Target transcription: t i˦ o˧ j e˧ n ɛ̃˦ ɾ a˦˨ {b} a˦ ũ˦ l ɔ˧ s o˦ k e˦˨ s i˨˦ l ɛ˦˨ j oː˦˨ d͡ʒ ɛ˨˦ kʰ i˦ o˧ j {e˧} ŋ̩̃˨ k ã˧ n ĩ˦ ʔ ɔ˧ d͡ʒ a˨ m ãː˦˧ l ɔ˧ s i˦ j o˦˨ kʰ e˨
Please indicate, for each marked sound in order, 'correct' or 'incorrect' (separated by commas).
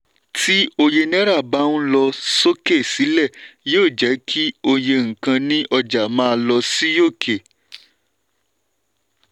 correct, correct